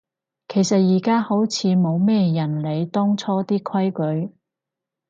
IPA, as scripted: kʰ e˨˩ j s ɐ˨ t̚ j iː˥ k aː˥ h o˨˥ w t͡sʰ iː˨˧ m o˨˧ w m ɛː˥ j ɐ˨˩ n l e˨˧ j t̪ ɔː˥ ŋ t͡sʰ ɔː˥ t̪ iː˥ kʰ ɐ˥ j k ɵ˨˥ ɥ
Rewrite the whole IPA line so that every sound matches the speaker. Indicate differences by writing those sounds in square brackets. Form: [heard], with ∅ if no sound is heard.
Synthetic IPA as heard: kʰ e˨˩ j s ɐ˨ t̚ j [iː˨˩] k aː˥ h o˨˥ w t͡sʰ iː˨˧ m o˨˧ w m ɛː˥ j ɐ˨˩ n l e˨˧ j t̪ ɔː˥ ŋ t͡sʰ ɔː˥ t̪ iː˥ kʰ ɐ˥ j k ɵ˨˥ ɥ